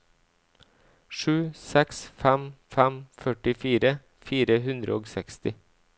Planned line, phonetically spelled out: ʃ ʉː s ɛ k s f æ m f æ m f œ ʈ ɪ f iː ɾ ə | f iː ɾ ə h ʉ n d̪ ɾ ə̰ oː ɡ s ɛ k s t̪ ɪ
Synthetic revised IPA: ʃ ʉː s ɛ k s f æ m f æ m f œ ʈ ɪ f iː ɾ ə | f iː ɾ ə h ʉ n d̪ ɾ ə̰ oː ɡ s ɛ k s t̪ ɪ